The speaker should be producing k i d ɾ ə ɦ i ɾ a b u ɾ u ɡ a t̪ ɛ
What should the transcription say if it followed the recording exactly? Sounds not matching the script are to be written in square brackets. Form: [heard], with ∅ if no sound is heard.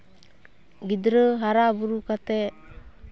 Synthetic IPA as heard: [ɡ] i d ɾ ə ɦ [a] ɾ a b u ɾ u [k] a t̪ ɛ